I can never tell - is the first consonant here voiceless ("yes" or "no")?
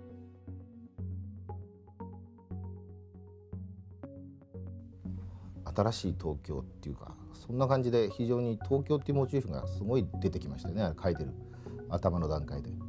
yes